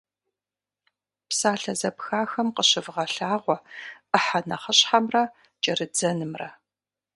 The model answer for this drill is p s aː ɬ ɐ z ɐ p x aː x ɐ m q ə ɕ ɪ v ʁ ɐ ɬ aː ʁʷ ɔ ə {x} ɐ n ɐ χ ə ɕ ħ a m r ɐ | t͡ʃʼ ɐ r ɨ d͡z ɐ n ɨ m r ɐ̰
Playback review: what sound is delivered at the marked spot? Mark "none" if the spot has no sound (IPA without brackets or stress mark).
ħ